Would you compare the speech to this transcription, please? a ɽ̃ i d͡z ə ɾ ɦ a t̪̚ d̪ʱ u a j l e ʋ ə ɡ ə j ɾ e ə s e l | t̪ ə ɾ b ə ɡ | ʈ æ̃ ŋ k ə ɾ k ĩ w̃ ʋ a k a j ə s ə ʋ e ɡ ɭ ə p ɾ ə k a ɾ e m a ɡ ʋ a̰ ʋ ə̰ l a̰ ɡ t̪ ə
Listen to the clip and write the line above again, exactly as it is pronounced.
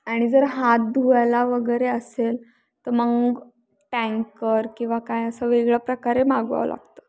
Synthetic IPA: a ɽ̃ i d͡z ə ɾ ɦ a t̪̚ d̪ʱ u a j l a ʋ ə ɡ ə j ɾ e ə s e l | t̪ ə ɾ m ə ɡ | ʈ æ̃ ŋ k ə ɾ k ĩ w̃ ʋ a k a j ə s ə ʋ e ɡ ɭ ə p ɾ ə k a ɾ e m a ɡ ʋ a̰ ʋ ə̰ l a̰ ɡ t̪ ə